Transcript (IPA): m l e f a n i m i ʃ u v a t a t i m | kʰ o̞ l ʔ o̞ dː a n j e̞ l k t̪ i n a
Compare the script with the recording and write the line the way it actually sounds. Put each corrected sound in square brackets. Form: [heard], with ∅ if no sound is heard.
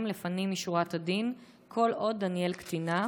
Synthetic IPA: m l e f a n i m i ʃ u [ʁ] a t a [d] i [n] | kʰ o̞ l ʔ o̞ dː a n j e̞ l k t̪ i n a